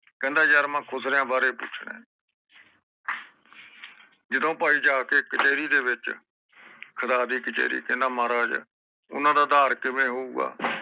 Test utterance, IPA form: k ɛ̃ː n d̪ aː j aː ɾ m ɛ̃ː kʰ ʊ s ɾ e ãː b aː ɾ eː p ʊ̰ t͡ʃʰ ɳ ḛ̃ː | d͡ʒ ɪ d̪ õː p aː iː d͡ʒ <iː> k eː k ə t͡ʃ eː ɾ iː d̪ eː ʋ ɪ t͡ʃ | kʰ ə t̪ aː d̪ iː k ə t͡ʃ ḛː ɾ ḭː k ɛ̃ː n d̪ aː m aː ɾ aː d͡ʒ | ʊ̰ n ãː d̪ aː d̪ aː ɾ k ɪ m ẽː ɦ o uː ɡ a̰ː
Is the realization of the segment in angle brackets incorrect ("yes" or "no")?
yes